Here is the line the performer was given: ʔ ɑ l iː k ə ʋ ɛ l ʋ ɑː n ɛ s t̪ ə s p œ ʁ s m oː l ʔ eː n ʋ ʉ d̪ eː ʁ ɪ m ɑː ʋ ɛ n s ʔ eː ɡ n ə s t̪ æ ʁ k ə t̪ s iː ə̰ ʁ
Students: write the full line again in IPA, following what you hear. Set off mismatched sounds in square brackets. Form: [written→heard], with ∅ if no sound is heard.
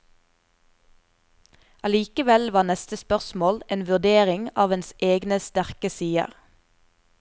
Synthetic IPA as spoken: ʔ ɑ l iː k ə ʋ ɛ l ʋ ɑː n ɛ s t̪ ə s p œ ʁ s m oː l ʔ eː n ʋ ʉ d̪ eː ʁ ɪ [m→ŋ] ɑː ʋ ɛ n s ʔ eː ɡ n ə s t̪ æ ʁ k ə [t̪→∅] s iː ə̰ ʁ